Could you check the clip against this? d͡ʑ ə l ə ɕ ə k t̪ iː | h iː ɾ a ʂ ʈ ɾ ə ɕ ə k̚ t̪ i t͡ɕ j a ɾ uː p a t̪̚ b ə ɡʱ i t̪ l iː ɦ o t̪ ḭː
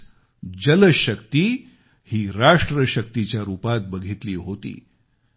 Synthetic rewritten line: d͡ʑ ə l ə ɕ ə k t̪ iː | h iː ɾ a ʂ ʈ ɾ ə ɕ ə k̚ t̪ i t͡ɕ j a ɾ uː p a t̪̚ b ə ɡʱ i t̪ l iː ɦ o t̪ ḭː